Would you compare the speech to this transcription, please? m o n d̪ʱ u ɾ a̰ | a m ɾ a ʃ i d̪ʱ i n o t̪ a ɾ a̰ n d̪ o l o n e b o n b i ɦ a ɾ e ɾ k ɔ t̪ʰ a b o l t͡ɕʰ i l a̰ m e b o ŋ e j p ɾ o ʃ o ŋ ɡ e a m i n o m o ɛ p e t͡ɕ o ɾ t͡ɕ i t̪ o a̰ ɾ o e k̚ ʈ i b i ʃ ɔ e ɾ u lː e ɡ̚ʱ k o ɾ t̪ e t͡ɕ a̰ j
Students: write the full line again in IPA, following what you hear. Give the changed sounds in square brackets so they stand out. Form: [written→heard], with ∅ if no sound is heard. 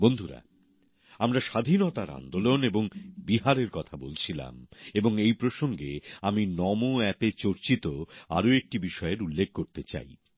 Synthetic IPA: [m→b] o n d̪ʱ u ɾ a̰ | a m ɾ a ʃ [i→a] d̪ʱ i n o t̪ a ɾ a̰ n d̪ o l o n e b o [n→ŋ] b i ɦ a ɾ e ɾ k ɔ t̪ʰ a b o l t͡ɕʰ i l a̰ m e b o ŋ e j p ɾ o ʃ o ŋ ɡ e a m i n [o→ɔ] m o ɛ p e t͡ɕ o ɾ t͡ɕ i t̪ o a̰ ɾ o e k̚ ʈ i b i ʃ ɔ e ɾ u lː e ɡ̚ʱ k o ɾ t̪ e t͡ɕ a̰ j